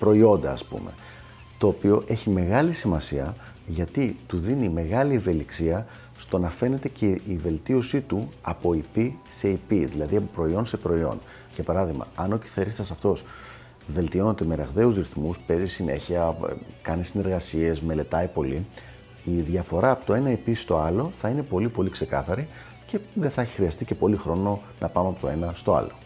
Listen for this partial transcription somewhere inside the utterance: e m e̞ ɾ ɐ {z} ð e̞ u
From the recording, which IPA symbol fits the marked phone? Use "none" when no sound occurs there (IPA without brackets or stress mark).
ɣ